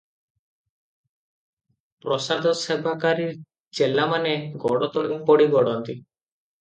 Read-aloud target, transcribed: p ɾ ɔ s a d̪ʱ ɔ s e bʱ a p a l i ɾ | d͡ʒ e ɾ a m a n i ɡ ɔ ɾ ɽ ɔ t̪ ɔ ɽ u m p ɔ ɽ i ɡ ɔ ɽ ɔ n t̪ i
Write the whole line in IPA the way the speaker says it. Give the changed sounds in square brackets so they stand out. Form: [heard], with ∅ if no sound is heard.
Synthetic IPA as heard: p ɾ ɔ s a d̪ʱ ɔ s e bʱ a [k] a [ɾ] i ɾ | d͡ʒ e [l] a m a n [e] ɡ ɔ [∅] ɽ ɔ t̪ ɔ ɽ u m p ɔ ɽ i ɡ ɔ ɽ ɔ n t̪ i